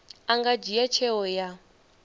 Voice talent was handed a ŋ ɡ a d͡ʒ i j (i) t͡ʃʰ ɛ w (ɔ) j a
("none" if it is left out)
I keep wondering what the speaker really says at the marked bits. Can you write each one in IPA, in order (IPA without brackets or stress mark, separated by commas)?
a, ɔ